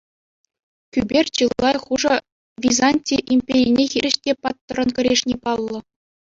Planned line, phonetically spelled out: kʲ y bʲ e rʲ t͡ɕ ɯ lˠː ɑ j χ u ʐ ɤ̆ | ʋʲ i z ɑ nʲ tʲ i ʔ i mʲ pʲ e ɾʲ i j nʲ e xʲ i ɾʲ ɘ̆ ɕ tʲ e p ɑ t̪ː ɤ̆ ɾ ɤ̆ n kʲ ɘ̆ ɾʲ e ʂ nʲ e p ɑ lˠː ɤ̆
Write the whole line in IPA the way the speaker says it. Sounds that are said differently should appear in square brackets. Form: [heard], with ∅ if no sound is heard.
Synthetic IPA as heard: kʲ y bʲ e rʲ t͡ɕ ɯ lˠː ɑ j χ u ʐ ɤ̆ | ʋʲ i z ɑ nʲ tʲ i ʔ i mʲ pʲ e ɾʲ i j nʲ e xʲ i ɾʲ ɘ̆ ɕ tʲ e p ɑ t̪ː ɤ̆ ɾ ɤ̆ n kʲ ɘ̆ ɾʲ e ʂ nʲ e p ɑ lˠː ɤ̆